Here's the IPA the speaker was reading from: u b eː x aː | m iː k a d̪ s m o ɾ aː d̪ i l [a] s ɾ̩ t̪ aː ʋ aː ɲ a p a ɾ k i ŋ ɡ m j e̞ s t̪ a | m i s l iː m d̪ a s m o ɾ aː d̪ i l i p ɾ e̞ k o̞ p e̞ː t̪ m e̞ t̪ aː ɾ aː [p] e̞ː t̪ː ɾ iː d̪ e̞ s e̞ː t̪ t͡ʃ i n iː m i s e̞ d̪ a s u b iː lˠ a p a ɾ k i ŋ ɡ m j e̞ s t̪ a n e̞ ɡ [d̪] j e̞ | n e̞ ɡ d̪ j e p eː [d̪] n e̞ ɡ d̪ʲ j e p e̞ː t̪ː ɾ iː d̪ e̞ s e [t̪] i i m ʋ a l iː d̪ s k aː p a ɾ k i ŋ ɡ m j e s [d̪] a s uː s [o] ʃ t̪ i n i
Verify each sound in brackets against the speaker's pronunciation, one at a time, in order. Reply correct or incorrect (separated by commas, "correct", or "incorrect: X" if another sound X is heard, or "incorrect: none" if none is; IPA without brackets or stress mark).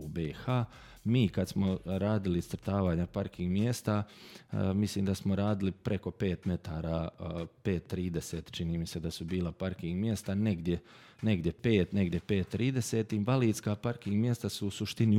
incorrect: i, correct, correct, incorrect: t̪, correct, incorrect: t̪, incorrect: u